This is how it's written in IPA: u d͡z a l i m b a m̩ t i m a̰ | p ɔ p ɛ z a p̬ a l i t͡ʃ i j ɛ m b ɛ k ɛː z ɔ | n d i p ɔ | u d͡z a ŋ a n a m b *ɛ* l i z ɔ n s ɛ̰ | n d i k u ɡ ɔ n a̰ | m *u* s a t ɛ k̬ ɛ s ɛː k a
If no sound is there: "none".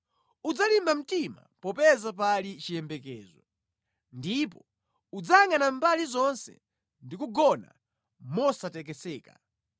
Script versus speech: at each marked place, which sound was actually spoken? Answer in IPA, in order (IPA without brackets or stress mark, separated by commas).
a, ɔ